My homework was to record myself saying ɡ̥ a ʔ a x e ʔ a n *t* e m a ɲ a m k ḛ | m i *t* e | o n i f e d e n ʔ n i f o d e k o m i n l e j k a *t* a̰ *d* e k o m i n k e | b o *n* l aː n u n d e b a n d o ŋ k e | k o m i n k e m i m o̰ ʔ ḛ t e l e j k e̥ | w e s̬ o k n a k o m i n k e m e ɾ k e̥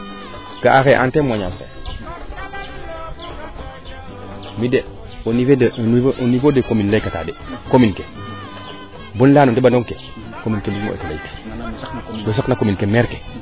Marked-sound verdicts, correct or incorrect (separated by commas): correct, incorrect, correct, correct, correct